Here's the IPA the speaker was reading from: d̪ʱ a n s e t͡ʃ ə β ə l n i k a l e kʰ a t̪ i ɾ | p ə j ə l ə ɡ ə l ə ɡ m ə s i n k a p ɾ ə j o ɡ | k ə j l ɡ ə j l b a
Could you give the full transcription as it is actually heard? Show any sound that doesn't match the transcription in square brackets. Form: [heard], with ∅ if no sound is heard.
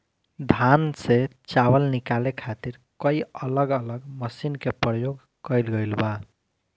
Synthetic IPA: d̪ʱ a n s e t͡ʃ [a] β ə l n i k a l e kʰ a t̪ i ɾ | [k] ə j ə l ə ɡ ə l ə ɡ m ə s i n k [e] p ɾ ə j o ɡ | k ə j l ɡ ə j l b a